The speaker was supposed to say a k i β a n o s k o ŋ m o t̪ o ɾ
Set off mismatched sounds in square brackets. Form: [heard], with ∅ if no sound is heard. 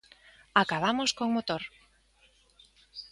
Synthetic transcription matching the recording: a k [a] β a [m] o s k o ŋ m o t̪ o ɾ

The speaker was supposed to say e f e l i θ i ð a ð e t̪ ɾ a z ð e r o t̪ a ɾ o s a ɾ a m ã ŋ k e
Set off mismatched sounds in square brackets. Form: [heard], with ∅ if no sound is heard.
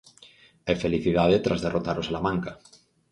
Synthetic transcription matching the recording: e f e l i θ i ð a ð e t̪ ɾ a z ð e r o t̪ a ɾ o s a [l] a m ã ŋ k [a]

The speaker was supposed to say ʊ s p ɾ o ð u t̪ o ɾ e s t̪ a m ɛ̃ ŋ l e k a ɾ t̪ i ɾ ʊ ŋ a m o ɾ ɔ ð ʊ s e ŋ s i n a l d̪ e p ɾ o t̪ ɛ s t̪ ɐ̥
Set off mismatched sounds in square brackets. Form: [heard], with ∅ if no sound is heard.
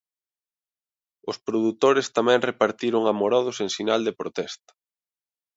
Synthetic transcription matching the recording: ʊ s p ɾ o ð u t̪ o ɾ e s t̪ a m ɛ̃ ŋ [r] e [p] a ɾ t̪ i ɾ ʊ ŋ a m o ɾ ɔ ð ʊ s e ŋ s i n a l d̪ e p ɾ o t̪ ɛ s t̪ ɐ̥

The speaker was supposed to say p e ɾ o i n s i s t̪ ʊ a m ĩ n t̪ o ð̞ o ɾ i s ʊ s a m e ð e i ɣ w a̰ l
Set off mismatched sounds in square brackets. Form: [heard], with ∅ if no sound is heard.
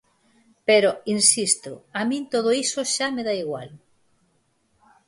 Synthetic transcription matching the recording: p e ɾ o i n s i s t̪ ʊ a m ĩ n t̪ o ð̞ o [∅] i s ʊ [ʃ] a m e ð [a] i ɣ w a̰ l

